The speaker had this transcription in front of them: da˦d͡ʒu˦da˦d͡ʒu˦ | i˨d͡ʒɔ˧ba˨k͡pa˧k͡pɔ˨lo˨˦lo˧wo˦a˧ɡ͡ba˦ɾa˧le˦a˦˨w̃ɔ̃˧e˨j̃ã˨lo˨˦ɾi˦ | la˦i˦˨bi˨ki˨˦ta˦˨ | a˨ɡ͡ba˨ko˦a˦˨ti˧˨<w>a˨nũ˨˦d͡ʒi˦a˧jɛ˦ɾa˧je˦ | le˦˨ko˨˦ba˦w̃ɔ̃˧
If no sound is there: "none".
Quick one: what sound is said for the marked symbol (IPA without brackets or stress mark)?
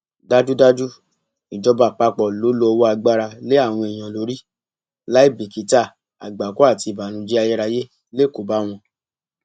b